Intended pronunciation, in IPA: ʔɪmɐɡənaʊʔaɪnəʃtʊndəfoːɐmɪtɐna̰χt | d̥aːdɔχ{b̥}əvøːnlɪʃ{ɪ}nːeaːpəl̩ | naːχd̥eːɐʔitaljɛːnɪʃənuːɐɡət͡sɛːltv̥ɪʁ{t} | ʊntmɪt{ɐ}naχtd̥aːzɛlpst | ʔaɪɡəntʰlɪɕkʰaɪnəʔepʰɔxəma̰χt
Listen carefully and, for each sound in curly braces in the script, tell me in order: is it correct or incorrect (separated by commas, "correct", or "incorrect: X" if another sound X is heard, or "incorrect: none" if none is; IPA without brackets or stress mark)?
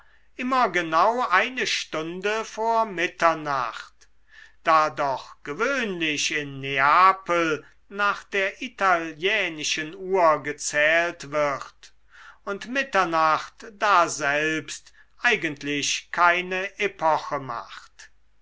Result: incorrect: ɡ̥, correct, correct, correct